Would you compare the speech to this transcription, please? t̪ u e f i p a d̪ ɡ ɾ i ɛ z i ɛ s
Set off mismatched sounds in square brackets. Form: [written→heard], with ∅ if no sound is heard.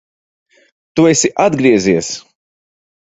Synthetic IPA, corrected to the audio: t̪ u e [f→s] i [p→ʔ] a d̪ ɡ ɾ i ɛ z i ɛ s

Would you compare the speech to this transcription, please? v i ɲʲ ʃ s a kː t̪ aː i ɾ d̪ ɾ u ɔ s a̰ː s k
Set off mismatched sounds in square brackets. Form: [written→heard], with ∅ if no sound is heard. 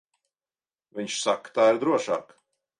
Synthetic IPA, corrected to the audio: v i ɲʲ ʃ s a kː t̪ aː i ɾ d̪ ɾ u ɔ [s→ʃ] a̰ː [s→∅] k

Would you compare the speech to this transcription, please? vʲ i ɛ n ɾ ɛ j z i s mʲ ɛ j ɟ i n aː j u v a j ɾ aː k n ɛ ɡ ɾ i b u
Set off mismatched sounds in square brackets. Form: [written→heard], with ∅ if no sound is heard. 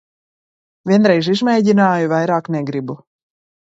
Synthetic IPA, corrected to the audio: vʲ i ɛ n ɾ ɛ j [z→ʒ] i [s→z] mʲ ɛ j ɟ i n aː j u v a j ɾ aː k n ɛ ɡ ɾ i b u

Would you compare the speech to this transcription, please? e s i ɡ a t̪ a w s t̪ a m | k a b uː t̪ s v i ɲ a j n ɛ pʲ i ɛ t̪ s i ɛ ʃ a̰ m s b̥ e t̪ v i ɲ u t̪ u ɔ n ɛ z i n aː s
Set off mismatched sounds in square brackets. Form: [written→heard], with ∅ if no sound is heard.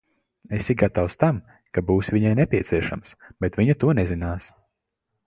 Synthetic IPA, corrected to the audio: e s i ɡ a t̪ a w s t̪ a m | k a b uː [t̪→∅] s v i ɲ a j n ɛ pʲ i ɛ t̪ s i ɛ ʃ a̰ m s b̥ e t̪ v i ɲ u t̪ u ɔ n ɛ z i n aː s

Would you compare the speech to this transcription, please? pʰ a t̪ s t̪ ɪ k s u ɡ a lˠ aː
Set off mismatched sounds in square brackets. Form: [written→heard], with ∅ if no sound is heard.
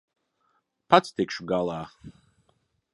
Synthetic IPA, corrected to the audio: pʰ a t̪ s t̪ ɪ k [s→ʃ] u ɡ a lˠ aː

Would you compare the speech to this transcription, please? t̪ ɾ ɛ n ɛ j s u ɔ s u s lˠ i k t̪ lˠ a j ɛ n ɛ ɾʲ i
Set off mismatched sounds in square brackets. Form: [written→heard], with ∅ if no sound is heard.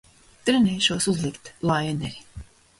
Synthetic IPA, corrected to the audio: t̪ ɾ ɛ n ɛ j [s→ʃ] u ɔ s u [s→z] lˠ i k t̪ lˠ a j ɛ n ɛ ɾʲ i

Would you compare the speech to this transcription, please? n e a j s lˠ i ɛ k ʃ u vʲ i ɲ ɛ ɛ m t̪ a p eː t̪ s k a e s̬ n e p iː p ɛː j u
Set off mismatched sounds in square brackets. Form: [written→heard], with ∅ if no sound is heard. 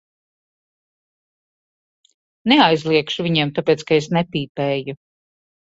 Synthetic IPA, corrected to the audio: n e a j [s→z] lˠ i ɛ k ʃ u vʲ i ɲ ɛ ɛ m t̪ a p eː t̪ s k a e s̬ n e p iː p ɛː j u

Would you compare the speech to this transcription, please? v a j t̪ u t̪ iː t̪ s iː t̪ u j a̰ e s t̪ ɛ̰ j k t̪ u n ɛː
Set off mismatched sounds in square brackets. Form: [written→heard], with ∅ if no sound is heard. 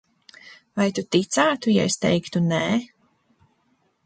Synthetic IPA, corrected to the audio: v a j t̪ u t̪ [iː→i] t̪ s [iː→aː] t̪ u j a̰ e s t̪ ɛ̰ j k t̪ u n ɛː

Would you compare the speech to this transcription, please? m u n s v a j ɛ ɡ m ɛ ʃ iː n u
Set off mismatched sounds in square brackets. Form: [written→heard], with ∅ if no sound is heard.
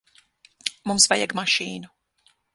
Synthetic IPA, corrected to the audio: m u [n→m] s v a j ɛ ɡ m [ɛ→a] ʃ iː n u

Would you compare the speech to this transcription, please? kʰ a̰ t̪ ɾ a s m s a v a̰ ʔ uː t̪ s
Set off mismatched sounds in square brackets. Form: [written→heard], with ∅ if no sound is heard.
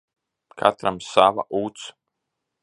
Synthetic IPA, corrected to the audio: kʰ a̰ t̪ ɾ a [s→∅] m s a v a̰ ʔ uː t̪ s

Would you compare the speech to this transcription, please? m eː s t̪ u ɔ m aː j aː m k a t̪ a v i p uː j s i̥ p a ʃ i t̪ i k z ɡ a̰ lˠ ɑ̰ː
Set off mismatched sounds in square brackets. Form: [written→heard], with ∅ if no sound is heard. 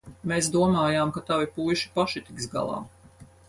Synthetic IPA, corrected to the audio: m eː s [t̪→d̪] u ɔ m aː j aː m k a t̪ a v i p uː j [s→ʃ] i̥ p a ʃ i t̪ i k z ɡ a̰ lˠ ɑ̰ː

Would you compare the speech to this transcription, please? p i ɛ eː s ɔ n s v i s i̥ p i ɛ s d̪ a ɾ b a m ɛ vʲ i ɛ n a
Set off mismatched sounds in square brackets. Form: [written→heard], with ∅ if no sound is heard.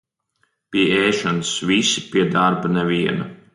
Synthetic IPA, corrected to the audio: p i ɛ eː [s→ʃ] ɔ n s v i s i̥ p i ɛ [s→∅] d̪ a ɾ b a [m→n] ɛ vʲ i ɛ n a

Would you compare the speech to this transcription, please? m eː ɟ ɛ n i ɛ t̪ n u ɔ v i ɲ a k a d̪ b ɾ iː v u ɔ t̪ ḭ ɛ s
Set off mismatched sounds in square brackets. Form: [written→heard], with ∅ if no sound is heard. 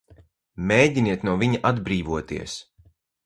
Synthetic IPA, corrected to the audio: m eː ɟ [ɛ→i] n i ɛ t̪ n u ɔ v i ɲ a [k→ʔ] a d̪ b ɾ iː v u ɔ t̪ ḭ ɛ s

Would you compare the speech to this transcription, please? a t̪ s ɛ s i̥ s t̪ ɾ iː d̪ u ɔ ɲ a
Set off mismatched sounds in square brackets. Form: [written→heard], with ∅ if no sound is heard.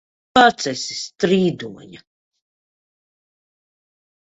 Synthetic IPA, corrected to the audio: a t̪ s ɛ s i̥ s t̪ ɾ iː d̪ u ɔ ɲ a

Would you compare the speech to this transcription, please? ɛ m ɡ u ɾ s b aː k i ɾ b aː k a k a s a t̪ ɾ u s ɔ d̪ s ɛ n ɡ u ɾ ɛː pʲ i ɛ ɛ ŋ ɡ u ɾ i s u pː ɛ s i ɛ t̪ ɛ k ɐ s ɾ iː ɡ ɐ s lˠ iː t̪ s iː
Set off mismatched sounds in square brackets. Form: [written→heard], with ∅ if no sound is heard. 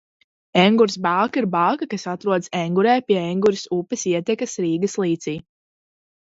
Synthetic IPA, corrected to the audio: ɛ [m→ŋ] ɡ u ɾ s b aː k i ɾ b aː k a k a s a t̪ ɾ u [s→∅] ɔ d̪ s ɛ [n→ŋ] ɡ u ɾ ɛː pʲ i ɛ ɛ ŋ ɡ u ɾ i s u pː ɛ s i ɛ t̪ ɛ k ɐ s ɾ iː ɡ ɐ s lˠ iː t̪ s iː

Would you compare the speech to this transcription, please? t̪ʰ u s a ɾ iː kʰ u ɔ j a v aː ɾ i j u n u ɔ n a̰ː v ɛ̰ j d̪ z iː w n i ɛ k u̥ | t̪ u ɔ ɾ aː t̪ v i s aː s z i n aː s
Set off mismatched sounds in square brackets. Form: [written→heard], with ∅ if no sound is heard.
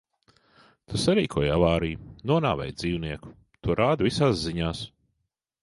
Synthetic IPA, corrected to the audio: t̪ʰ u s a ɾ iː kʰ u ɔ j a v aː ɾ i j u n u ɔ n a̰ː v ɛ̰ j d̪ z iː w n i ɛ k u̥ | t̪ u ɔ ɾ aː [t̪→d̪] v i s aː s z i [n→ɲ] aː s

